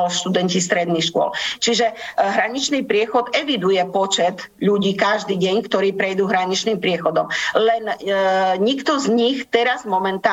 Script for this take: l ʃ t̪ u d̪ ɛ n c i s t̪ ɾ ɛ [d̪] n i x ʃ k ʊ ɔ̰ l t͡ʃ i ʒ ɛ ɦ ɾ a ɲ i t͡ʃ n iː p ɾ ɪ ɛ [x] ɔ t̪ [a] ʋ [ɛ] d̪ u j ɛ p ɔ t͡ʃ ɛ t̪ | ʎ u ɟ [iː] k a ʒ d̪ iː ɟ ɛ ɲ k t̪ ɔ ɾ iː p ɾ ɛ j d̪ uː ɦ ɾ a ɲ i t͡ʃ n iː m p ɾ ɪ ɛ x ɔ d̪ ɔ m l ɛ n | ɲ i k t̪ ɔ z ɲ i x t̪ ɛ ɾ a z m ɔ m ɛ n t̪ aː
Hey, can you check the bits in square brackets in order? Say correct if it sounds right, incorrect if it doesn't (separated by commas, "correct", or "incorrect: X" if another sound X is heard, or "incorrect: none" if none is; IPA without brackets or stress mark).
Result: correct, correct, incorrect: ɛ, incorrect: i, correct